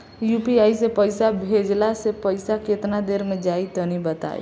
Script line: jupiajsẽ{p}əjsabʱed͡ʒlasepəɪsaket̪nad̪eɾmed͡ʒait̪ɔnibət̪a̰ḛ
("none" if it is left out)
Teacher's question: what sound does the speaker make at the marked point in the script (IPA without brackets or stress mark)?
p